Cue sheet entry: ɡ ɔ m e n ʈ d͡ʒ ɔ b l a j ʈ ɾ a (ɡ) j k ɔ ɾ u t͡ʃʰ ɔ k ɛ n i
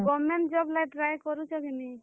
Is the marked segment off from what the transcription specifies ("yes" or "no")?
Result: yes